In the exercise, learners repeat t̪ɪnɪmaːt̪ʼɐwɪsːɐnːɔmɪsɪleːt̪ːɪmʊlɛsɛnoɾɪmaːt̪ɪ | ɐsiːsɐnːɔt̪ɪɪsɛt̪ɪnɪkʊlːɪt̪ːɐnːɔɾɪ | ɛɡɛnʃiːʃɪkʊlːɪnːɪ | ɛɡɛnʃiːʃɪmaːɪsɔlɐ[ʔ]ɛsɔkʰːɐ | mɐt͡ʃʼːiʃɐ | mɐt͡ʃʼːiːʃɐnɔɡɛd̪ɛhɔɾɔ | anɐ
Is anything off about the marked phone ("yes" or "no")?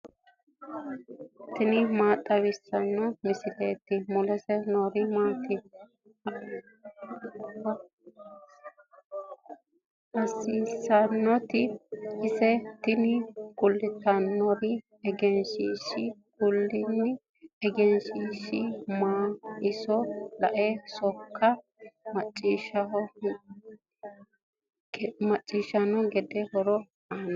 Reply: no